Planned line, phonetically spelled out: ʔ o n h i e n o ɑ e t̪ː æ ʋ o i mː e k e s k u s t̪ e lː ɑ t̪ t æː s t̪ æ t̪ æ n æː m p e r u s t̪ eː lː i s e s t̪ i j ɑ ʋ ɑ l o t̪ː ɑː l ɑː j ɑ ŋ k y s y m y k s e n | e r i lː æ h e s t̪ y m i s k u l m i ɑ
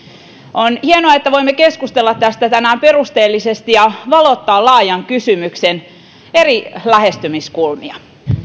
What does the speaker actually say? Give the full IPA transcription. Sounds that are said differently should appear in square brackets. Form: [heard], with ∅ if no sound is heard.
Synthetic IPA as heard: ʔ o n h i e n o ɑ e t̪ː æ ʋ o i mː e k e s k u s t̪ e lː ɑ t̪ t [æ] s t̪ æ t̪ æ n æː m p e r u s t̪ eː lː i s e s t̪ i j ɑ ʋ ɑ l o t̪ː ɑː l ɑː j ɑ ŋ k y s y m y k s e n | e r i [l] æ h e s t̪ y m i s k u l m i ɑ